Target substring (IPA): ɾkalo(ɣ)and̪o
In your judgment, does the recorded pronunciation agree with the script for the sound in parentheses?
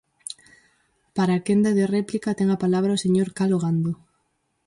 yes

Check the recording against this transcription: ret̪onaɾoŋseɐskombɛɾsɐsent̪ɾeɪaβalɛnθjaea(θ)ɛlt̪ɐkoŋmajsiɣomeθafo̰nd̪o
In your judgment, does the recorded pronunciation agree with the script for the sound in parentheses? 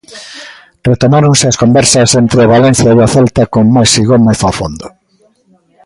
yes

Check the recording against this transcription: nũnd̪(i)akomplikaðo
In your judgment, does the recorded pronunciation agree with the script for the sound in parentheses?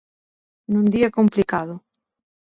yes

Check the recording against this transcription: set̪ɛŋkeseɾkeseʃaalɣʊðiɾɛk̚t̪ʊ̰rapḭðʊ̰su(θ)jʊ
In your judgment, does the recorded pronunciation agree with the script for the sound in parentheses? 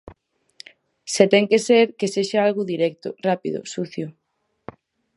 yes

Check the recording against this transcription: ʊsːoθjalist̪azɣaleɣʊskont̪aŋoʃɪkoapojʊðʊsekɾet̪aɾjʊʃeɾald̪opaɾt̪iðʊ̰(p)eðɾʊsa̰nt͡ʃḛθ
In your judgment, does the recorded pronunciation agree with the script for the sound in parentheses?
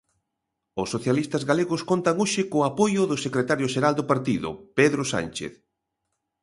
yes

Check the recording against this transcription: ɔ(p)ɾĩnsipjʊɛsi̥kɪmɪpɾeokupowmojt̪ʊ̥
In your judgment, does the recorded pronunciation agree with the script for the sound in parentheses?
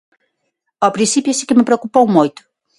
yes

